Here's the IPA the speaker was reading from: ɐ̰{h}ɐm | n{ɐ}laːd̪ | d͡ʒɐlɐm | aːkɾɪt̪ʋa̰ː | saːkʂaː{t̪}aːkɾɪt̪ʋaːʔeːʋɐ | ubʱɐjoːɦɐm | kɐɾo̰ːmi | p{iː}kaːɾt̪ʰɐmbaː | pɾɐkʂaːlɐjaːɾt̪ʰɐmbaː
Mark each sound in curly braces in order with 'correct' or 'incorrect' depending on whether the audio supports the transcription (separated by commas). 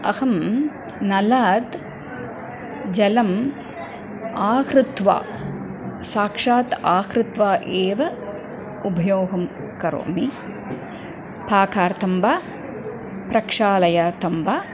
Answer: correct, correct, correct, incorrect